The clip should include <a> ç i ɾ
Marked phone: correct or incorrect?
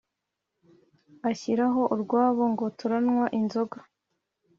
correct